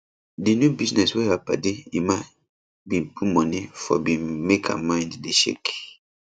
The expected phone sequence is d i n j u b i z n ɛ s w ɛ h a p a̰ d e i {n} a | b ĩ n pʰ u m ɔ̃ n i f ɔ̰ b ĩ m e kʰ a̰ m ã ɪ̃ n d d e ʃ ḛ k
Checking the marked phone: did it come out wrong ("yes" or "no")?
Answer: yes